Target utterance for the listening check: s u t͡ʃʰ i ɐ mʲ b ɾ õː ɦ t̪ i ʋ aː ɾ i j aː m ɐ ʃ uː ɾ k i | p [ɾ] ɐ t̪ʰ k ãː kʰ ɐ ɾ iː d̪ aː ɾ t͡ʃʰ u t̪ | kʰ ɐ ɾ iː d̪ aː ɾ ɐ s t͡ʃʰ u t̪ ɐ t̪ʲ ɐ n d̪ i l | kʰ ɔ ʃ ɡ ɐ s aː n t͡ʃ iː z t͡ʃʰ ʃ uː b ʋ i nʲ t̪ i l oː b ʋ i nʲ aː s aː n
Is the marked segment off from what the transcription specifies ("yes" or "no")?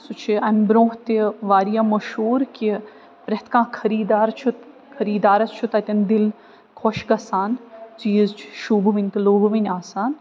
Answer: no